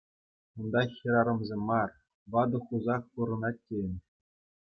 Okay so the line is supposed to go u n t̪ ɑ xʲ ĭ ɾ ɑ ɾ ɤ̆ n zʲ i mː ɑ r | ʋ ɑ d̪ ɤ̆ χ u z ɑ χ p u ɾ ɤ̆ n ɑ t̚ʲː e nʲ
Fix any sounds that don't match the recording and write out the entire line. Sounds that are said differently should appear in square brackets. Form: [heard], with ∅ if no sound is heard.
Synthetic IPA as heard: u n [d̪] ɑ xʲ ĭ ɾ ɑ ɾ ɤ̆ [m] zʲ [e] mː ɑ r | ʋ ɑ d̪ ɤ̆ χ u z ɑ χ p u ɾ ɤ̆ n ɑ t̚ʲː e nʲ